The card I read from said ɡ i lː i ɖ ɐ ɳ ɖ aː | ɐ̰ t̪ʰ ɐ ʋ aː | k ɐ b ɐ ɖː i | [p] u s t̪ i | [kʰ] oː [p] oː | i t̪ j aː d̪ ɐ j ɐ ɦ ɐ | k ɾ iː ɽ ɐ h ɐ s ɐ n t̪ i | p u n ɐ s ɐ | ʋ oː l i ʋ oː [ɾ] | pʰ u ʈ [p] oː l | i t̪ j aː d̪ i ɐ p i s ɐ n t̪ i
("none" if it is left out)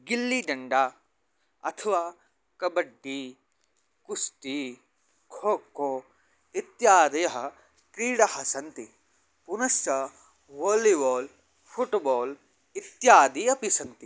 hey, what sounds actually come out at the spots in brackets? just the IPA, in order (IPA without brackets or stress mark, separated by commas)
k, kʰ, k, l, b